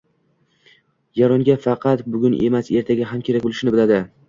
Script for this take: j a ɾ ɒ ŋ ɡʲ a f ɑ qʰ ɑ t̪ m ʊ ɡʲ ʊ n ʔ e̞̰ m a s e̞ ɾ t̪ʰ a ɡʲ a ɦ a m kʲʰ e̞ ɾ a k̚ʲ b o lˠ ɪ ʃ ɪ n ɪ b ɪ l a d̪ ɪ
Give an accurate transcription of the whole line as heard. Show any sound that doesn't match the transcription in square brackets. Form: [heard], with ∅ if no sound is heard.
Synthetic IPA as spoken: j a ɾ ɒ ŋ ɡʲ a f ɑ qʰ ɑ t̪ [b] ʊ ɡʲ ʊ n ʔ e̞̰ m a s e̞ ɾ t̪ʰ a ɡʲ a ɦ a m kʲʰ e̞ ɾ a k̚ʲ b o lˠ ɪ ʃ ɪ n ɪ b ɪ l a d̪ ɪ